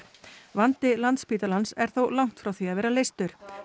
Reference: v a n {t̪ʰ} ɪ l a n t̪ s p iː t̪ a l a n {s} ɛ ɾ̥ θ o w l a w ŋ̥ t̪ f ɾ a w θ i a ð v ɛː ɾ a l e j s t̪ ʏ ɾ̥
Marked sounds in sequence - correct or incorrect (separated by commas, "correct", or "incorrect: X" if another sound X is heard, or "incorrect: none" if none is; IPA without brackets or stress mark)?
incorrect: t̪, correct